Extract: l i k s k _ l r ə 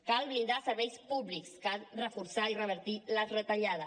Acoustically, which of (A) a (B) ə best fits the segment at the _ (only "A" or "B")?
A